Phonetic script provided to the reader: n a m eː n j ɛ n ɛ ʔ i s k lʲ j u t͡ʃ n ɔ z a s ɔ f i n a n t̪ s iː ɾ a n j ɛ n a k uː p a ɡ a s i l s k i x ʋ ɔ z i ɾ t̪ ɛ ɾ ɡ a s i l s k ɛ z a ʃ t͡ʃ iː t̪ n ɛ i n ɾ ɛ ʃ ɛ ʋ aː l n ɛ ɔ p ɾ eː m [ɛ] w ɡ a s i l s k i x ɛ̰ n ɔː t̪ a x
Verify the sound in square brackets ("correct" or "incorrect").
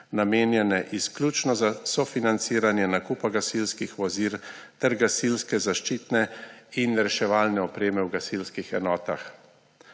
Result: correct